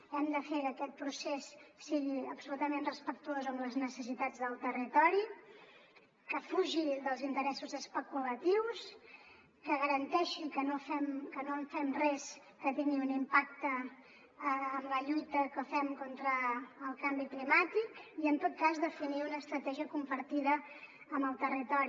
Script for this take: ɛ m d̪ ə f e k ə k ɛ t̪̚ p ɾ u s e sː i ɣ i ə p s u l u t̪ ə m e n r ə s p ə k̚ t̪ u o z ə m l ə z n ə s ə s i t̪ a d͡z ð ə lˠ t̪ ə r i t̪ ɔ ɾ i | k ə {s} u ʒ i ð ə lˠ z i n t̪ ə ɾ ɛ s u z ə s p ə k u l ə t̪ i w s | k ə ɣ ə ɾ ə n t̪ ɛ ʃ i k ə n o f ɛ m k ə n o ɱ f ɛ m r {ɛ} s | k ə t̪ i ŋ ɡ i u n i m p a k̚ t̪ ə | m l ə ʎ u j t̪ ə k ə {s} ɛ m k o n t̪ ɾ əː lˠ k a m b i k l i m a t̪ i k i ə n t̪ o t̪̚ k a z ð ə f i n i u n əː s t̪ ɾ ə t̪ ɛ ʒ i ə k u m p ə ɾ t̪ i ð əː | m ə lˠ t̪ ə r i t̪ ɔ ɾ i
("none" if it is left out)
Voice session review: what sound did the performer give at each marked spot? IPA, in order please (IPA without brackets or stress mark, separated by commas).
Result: f, ɛ, f